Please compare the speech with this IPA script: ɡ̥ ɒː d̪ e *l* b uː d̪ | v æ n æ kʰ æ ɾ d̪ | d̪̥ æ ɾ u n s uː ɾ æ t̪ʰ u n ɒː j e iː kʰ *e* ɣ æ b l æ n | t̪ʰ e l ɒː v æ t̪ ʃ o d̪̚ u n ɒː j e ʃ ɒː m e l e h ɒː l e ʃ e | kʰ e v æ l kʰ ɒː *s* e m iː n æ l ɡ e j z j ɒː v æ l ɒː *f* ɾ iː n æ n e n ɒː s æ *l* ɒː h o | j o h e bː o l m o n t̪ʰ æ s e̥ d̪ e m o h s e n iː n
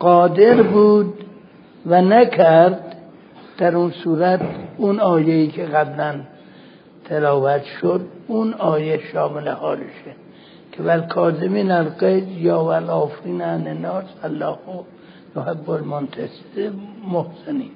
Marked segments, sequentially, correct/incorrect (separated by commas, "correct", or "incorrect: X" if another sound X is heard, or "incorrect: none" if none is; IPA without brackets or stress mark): incorrect: ɾ, correct, incorrect: z, correct, incorrect: lː